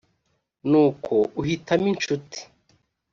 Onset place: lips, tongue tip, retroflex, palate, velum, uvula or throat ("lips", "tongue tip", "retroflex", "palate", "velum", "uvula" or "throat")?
tongue tip